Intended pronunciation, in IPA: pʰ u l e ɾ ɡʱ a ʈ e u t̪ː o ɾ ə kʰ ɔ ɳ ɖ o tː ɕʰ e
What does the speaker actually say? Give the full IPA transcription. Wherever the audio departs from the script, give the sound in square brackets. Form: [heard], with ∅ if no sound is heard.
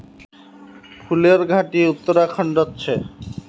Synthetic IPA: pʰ u l e ɾ ɡʱ a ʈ [i] u t̪ː o ɾ [a] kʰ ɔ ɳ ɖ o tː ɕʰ e